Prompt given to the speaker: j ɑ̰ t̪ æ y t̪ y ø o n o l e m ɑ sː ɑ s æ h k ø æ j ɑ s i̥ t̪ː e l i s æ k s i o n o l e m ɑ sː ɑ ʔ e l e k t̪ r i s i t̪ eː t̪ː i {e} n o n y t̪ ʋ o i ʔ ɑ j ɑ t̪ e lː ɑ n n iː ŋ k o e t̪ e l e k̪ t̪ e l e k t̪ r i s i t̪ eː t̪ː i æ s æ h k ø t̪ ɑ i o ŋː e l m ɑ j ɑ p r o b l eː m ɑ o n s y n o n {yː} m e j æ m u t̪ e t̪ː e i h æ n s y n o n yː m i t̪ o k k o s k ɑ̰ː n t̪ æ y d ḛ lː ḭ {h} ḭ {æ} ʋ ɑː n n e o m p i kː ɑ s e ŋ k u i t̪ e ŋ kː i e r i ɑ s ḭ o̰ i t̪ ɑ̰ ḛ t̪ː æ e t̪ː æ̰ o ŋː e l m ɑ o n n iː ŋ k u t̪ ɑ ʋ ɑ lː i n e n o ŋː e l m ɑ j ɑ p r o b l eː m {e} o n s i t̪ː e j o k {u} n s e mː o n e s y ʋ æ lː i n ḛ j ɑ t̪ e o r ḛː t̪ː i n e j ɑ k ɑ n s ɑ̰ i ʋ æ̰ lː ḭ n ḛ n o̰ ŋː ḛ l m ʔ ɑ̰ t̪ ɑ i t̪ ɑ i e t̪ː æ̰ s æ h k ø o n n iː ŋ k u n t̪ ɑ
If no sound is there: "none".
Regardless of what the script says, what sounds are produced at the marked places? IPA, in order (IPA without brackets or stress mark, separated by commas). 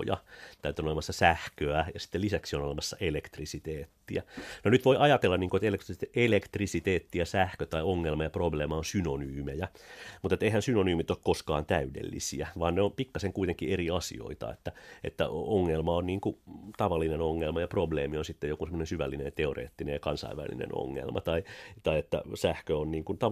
æ, yː, s, æ, i, u